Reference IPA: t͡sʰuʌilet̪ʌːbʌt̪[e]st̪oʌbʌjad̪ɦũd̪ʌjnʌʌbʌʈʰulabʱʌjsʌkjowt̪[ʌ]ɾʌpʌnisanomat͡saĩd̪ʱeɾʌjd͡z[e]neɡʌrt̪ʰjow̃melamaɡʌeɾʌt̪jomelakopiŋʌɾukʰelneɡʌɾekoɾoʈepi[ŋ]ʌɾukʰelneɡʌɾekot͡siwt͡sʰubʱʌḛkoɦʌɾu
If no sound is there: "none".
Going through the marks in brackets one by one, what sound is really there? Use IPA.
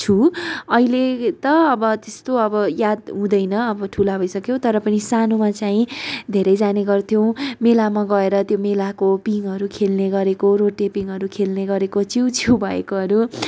e, ʌ, a, ŋ

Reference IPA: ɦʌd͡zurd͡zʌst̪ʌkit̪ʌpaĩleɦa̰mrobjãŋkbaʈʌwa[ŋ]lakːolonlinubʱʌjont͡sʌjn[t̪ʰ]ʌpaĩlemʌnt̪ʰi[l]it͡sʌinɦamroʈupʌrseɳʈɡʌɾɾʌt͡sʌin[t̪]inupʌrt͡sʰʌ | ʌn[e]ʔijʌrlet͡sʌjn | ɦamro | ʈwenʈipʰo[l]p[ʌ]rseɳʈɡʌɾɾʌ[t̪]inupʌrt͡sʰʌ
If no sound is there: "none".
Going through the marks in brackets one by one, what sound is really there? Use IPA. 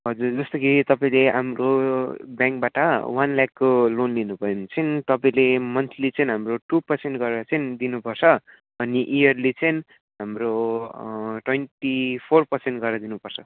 n, t̪, l, d̪, i, r, ʌ, d̪

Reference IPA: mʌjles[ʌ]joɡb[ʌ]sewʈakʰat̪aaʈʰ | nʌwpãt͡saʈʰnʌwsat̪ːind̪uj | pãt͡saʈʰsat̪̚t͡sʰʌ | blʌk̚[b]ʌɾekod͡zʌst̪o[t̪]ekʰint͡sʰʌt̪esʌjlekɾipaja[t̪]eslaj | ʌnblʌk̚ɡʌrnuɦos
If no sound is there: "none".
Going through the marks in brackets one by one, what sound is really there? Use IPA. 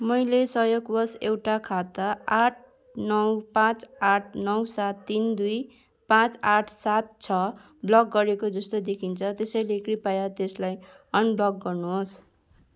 ʌ, ʌ, ɡ, d̪, t̪

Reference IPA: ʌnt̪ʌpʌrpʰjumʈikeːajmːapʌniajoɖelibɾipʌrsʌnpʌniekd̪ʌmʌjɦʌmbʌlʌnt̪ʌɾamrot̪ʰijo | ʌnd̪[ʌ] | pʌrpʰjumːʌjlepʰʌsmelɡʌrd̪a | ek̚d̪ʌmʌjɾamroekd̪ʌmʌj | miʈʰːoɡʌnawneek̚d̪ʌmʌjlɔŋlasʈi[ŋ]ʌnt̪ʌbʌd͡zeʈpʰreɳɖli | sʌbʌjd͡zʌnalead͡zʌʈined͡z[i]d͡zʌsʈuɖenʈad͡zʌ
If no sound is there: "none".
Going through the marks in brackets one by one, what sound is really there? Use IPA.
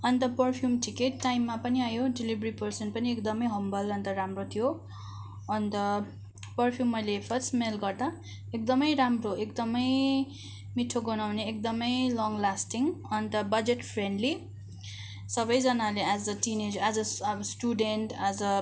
ʌ, ŋ, a

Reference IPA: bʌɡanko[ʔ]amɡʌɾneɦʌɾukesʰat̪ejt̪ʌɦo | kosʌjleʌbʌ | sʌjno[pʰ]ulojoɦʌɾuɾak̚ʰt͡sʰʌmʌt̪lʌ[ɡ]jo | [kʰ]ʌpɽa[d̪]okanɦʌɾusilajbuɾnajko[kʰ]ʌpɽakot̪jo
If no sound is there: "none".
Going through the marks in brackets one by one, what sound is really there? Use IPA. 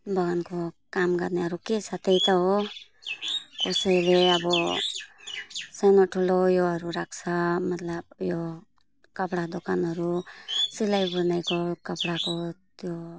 k, ʈʰ, b, k, d̪, k

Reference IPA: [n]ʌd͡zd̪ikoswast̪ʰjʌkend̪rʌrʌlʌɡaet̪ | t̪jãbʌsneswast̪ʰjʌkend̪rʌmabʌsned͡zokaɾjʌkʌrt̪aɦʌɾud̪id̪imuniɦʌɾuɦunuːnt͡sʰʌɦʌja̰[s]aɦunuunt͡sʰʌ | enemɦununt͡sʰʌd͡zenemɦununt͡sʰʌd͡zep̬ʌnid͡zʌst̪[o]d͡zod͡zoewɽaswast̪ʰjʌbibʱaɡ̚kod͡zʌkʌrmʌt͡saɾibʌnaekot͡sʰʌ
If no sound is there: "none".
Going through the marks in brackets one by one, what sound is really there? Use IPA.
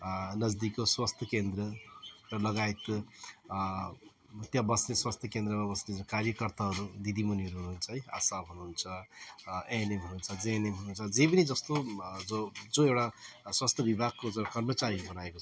n, s, o

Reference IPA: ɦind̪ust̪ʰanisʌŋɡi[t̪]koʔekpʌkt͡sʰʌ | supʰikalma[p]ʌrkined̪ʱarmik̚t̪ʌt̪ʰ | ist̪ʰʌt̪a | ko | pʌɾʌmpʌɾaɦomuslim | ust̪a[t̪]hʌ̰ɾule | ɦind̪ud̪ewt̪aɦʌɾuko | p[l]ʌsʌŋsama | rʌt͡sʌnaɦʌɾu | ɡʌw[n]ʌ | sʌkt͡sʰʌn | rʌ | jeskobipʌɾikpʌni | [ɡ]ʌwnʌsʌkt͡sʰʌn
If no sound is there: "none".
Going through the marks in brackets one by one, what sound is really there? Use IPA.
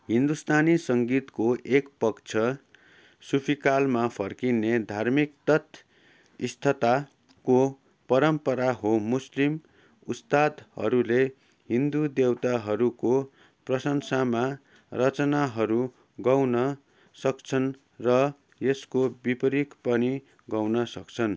t̪, pʰ, d̪, r, n, ɡ

